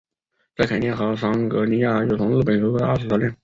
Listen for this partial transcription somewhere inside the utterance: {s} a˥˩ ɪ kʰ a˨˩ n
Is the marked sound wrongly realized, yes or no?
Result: yes